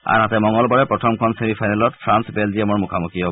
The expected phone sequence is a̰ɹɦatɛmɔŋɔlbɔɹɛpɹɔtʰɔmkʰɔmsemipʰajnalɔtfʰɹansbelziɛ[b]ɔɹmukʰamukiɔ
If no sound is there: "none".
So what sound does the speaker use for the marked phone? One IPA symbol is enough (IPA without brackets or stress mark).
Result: m